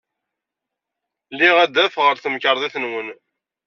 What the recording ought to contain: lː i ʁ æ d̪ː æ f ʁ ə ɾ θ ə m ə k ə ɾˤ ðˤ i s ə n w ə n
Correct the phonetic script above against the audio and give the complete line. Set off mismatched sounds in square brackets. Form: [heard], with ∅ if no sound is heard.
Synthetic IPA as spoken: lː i ʁ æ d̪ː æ f ʁ ə ɾ θ ə m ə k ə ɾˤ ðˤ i [θ] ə n w ə n